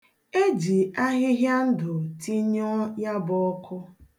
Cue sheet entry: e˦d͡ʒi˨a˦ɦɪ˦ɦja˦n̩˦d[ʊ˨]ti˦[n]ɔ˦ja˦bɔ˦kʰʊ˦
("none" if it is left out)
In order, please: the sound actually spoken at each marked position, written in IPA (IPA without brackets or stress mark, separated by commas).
ʊ˨, ɲ